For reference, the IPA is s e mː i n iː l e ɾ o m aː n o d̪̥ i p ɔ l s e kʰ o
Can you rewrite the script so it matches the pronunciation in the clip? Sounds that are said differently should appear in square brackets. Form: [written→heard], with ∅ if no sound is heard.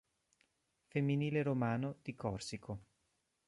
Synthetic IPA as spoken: [s→f] e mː i n iː l e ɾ o m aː n o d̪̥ i [p→k] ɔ [l→r] s [e→i] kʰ o